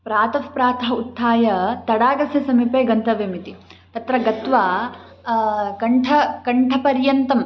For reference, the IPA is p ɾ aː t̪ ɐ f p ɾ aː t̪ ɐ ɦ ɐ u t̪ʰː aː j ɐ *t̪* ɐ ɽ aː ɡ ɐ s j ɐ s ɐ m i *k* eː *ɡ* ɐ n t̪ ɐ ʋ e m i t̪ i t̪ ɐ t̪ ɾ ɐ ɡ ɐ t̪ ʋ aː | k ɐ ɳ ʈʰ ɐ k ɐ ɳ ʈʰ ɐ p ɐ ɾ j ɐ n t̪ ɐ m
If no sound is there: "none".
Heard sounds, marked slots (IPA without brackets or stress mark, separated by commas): t̪, p, ɡ